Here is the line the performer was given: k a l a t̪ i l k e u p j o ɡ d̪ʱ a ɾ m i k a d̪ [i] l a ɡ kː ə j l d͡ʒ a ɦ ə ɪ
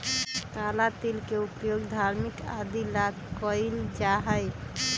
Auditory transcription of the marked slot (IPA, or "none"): i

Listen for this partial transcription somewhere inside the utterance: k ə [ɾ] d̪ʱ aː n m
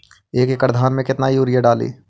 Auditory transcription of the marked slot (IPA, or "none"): ɾ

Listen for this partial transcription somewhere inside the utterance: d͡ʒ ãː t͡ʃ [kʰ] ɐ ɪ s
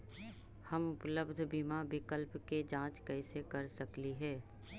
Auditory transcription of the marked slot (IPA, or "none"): k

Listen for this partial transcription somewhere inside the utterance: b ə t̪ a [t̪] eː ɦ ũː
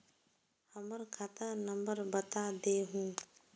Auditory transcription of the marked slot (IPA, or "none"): d̪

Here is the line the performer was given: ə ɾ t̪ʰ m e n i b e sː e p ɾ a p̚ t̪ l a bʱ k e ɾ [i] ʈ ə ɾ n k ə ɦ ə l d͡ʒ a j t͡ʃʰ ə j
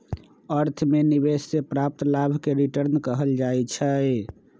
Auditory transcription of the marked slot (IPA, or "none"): i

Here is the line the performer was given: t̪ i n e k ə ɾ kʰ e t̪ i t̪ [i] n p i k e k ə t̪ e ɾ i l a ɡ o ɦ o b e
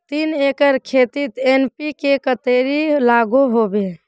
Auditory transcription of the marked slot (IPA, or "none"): e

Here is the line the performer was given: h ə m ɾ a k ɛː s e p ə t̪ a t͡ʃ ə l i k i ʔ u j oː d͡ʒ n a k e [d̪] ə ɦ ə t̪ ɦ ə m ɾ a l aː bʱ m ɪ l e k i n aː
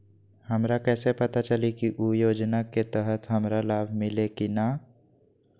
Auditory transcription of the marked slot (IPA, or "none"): t̪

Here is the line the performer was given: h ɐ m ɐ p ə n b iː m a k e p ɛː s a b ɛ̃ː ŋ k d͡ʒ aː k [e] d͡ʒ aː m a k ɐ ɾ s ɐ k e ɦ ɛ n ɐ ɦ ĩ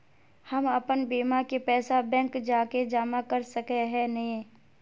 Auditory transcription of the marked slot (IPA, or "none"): e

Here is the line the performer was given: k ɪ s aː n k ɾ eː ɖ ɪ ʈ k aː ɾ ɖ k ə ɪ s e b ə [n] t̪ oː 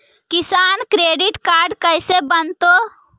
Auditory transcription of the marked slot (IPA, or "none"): n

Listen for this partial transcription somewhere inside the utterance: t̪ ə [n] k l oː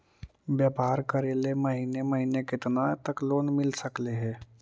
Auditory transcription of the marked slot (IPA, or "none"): none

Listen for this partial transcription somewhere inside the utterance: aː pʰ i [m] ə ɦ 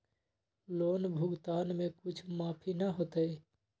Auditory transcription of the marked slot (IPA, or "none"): n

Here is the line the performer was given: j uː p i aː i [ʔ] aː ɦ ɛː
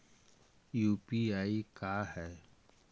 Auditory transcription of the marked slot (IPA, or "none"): k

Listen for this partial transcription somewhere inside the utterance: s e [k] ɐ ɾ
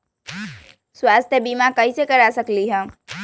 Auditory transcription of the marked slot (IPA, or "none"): k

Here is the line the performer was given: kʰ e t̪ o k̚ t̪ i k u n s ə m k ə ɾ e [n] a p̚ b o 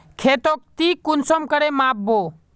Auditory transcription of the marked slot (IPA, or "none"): m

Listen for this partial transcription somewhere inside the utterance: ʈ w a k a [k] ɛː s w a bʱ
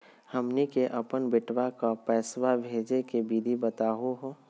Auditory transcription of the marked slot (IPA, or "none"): p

